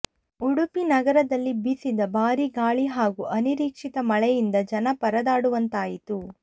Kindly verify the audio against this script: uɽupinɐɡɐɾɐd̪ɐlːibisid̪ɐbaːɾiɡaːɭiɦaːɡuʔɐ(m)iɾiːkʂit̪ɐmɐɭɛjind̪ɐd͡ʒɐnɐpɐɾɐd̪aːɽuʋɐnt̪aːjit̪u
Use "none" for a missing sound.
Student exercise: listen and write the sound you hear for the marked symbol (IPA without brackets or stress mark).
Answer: n